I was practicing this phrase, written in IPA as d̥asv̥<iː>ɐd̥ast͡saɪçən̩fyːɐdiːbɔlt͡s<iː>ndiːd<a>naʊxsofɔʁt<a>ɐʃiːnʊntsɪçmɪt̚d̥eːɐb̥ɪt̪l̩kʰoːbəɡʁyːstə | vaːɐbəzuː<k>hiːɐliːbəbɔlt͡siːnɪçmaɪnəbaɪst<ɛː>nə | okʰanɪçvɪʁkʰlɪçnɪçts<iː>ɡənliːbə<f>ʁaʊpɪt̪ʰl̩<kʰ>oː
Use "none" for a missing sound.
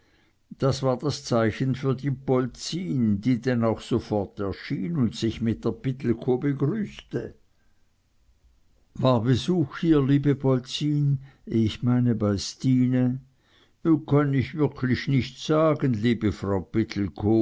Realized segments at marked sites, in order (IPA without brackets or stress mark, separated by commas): aː, iː, ɛ, ɛ, x, iː, aː, f, kʰ